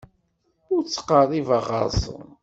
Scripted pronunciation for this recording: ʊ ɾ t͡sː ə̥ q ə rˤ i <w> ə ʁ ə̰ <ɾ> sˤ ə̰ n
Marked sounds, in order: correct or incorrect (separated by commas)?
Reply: incorrect, correct